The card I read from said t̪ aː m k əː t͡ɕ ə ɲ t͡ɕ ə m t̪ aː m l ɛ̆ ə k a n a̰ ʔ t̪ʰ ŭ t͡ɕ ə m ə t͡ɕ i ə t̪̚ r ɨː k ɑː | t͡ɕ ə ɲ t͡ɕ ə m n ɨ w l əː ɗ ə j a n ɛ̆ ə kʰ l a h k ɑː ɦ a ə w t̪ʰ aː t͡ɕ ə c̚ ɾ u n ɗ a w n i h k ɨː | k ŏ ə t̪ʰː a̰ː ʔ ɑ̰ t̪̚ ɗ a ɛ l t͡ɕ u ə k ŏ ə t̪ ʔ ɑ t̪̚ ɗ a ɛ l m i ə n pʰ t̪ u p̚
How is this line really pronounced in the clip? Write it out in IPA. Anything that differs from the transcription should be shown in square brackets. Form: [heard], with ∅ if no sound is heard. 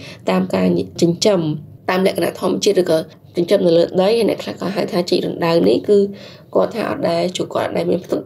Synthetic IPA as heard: t̪ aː m k [aː] t͡ɕ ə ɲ t͡ɕ ə m t̪ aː m l ɛ̆ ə k a n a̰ ʔ t̪ʰ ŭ [∅] ə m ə t͡ɕ i ə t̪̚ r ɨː k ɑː | t͡ɕ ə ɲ t͡ɕ ə m n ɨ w l əː ɗ ə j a n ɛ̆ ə kʰ l a h k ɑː ɦ a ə w t̪ʰ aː t͡ɕ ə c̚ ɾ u n ɗ a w n i h k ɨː | k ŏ ə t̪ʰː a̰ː ʔ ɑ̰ t̪̚ ɗ a ɛ l t͡ɕ u ə k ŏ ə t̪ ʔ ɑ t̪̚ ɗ a ɛ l m i ə n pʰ t̪ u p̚